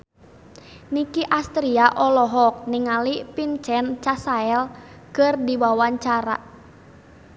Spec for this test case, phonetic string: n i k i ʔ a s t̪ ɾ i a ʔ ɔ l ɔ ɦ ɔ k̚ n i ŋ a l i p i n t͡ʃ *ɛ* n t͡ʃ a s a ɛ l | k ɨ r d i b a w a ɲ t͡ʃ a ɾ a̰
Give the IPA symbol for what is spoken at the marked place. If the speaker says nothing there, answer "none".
ɛ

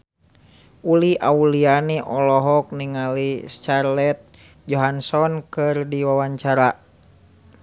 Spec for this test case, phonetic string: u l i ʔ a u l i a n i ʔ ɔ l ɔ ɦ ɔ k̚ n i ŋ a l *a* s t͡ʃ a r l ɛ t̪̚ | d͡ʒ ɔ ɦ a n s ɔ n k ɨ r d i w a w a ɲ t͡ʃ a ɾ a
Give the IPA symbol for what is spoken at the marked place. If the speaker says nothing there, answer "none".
i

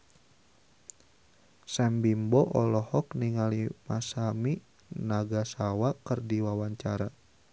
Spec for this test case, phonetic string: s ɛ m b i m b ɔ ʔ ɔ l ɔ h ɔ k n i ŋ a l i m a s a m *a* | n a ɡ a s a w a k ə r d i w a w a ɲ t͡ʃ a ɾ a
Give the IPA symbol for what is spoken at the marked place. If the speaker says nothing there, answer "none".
i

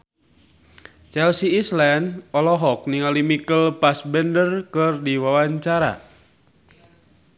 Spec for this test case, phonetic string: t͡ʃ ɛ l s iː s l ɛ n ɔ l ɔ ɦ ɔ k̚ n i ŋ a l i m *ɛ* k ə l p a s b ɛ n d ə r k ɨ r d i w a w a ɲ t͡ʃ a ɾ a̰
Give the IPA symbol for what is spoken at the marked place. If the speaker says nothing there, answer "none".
i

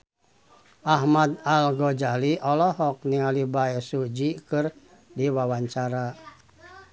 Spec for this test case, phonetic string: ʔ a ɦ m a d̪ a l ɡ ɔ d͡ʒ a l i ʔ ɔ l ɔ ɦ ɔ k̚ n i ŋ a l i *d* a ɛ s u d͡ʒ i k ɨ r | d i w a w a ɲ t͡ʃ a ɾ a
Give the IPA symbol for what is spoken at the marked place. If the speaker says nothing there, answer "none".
b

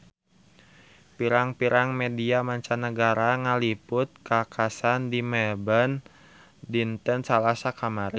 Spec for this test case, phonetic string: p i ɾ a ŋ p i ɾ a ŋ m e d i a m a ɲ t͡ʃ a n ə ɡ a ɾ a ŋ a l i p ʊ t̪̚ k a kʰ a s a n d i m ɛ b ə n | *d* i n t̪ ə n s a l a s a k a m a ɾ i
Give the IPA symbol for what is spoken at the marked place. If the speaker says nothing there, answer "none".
d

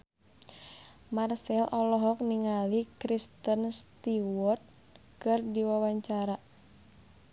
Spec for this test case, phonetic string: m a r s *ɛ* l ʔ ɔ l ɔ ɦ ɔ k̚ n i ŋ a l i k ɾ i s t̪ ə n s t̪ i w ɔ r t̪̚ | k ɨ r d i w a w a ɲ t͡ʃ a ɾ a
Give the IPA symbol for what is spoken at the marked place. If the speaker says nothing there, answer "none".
ɛ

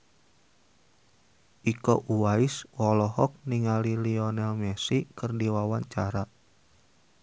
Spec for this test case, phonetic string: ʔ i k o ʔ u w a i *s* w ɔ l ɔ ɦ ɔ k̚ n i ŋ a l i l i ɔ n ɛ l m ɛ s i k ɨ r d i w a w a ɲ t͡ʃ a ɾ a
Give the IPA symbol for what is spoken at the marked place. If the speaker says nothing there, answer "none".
s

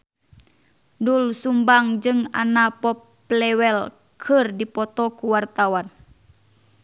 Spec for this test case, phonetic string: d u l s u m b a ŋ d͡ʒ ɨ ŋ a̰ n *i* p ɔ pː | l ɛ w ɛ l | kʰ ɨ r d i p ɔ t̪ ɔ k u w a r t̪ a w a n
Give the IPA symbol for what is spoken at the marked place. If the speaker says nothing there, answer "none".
a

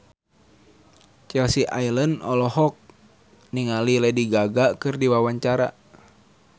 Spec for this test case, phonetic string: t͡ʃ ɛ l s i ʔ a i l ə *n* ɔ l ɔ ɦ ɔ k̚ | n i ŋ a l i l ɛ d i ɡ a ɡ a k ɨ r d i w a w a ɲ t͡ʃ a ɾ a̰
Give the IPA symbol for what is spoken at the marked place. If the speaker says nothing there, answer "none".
n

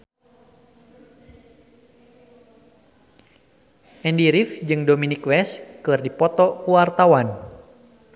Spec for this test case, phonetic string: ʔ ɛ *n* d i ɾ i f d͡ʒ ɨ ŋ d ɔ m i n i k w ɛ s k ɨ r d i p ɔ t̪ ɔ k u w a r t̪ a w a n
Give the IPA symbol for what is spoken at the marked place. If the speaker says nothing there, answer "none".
n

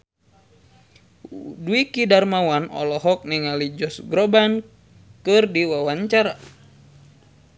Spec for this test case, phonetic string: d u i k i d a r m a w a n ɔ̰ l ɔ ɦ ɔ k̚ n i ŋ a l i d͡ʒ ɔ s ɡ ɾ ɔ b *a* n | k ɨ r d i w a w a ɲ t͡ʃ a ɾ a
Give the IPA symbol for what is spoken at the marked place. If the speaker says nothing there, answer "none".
a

